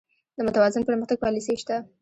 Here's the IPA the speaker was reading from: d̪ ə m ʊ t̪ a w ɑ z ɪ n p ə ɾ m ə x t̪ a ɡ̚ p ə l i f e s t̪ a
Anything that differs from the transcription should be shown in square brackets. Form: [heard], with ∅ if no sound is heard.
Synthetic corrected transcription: d̪ ə m ʊ t̪ a w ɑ z ɪ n p ə ɾ m ə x t̪ a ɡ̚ p [ɑ] l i [s] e [ʃ] t̪ a